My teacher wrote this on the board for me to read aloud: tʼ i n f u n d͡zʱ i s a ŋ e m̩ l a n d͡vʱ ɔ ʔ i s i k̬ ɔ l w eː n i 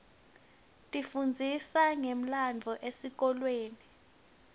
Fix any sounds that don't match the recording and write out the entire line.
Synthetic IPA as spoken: tʼ i f u n d͡zʱ i s a ŋ e m̩ l a n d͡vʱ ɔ ʔ e s i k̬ ɔ l w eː n i